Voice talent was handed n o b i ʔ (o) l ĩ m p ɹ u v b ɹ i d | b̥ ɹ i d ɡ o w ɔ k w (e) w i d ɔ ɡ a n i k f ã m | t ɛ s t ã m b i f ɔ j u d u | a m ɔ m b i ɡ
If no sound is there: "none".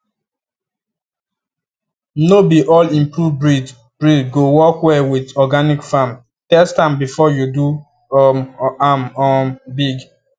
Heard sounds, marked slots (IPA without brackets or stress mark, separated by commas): ɔ, ɛ